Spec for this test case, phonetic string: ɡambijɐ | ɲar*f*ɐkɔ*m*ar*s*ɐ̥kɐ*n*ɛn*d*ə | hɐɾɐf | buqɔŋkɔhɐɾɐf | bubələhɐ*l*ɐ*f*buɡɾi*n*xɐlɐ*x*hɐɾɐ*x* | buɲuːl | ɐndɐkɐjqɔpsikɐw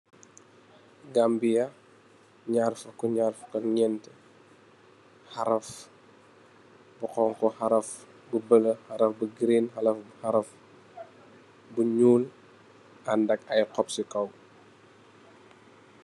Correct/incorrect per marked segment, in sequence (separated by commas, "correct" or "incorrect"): correct, incorrect, incorrect, incorrect, incorrect, incorrect, correct, correct, incorrect, incorrect